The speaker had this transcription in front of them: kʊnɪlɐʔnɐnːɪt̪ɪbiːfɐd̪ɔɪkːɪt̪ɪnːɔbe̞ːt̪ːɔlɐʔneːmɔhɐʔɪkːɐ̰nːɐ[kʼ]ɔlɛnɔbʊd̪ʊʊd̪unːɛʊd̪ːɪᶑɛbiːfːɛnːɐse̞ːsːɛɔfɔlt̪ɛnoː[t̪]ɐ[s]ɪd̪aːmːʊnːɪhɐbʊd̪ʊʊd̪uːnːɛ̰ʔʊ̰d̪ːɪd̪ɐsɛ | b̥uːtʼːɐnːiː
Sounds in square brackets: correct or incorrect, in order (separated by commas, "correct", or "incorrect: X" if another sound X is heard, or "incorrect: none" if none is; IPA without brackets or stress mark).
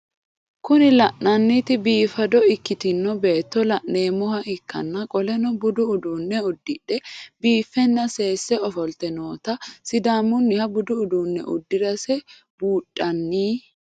correct, correct, correct